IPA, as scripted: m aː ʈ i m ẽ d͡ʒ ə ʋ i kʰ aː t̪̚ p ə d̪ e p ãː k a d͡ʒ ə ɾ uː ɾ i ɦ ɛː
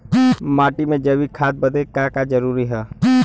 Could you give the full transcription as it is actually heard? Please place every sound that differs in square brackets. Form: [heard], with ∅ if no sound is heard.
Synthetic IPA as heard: m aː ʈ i m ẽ d͡ʒ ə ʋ i kʰ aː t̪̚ [b] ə d̪ e [k] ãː k a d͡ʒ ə ɾ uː ɾ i ɦ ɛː